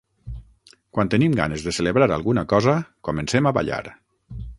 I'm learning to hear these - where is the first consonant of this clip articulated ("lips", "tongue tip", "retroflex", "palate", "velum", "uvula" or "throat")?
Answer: velum